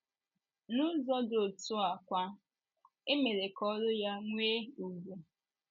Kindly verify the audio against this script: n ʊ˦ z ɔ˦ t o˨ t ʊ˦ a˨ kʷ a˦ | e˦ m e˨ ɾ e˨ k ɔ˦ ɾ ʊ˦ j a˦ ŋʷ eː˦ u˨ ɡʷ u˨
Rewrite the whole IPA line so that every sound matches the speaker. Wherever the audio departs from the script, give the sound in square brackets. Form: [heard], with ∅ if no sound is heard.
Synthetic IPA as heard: n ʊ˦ z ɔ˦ [d] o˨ t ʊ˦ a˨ kʷ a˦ | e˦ m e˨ ɾ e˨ k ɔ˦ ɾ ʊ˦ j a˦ ŋʷ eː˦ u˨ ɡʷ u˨